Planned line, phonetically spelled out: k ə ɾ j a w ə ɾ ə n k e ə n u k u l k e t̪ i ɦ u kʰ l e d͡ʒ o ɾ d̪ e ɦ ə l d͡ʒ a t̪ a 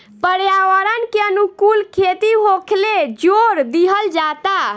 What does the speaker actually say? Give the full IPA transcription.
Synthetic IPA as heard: p ə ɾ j a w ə ɾ ə n k e ə n u k u l kʰ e t̪ i ɦ o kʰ l e d͡ʒ o ɾ d̪ i ɦ ə l d͡ʒ a t̪ a